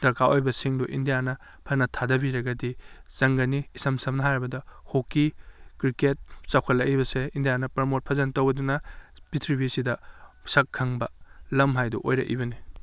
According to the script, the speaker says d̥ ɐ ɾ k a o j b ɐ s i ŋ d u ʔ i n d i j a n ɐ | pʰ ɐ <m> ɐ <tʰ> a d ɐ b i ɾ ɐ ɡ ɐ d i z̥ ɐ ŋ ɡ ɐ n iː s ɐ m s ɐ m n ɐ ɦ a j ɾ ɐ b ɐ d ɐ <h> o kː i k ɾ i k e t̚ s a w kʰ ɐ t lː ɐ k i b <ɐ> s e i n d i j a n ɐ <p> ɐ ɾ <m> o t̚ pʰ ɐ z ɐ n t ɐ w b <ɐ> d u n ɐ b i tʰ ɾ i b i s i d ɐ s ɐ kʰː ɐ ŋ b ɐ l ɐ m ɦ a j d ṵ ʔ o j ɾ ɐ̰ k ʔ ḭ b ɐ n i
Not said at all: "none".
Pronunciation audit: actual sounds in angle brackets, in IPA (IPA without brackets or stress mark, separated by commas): n, tʰ, h, ɐ, p, m, ɐ